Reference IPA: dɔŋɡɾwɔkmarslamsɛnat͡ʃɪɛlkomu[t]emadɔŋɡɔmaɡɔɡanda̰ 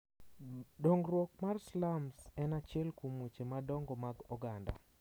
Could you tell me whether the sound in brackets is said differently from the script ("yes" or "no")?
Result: yes